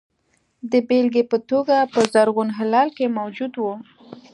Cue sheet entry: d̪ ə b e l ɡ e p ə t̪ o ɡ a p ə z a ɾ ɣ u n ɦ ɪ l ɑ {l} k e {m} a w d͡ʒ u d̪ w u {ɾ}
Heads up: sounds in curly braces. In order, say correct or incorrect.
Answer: correct, correct, incorrect: none

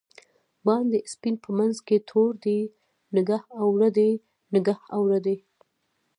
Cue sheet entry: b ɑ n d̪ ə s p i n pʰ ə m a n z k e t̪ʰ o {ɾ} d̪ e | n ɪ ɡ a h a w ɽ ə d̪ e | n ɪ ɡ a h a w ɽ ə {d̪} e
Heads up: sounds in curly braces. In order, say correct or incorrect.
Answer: correct, correct

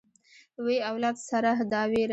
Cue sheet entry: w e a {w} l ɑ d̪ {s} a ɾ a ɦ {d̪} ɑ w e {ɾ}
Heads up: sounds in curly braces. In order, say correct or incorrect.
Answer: correct, correct, correct, correct

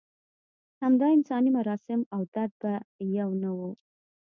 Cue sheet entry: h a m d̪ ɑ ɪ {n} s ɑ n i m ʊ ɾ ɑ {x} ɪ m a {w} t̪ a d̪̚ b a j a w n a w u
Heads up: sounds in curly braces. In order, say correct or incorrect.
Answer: correct, incorrect: s, correct

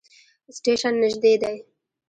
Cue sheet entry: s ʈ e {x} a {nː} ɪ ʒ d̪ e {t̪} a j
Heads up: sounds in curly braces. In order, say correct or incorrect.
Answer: incorrect: ʃ, correct, incorrect: d̪

